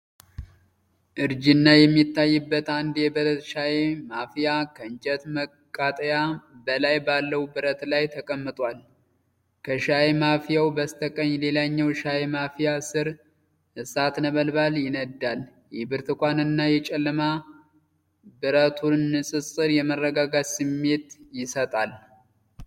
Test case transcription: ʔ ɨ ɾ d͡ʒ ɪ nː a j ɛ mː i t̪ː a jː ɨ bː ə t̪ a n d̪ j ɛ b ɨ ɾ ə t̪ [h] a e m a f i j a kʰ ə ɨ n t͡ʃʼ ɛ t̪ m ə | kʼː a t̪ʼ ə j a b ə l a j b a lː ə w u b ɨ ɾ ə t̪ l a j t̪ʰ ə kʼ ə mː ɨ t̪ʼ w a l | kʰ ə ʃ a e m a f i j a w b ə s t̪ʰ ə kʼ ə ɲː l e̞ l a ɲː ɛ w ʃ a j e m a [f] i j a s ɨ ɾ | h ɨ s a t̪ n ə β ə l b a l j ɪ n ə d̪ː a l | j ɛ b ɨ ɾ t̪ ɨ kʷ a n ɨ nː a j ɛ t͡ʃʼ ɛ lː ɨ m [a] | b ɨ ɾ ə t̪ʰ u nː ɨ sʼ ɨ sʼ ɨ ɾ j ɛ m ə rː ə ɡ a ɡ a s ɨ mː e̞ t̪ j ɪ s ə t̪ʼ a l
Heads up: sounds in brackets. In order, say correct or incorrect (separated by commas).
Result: incorrect, correct, correct